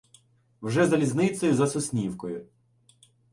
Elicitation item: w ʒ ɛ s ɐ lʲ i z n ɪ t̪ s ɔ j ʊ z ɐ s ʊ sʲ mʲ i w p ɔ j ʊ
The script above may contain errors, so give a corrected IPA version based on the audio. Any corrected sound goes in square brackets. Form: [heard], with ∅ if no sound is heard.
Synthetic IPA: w ʒ ɛ [z] ɐ lʲ i z n ɪ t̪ s ɔ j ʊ z ɐ s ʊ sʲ [nʲ] i w [k] ɔ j ʊ